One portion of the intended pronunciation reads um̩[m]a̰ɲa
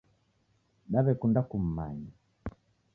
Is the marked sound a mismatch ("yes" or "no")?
no